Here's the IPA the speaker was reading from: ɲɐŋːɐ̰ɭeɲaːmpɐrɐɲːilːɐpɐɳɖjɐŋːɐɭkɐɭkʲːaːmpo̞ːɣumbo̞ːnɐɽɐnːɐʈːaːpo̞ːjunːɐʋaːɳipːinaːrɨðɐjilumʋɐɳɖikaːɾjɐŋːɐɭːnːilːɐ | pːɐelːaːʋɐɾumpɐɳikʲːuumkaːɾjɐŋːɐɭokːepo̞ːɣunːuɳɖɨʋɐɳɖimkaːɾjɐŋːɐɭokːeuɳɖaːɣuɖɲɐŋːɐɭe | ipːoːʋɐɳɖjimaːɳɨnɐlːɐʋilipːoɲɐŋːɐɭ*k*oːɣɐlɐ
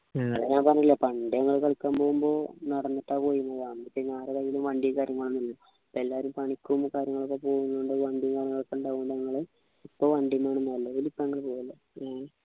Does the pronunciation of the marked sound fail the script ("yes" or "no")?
yes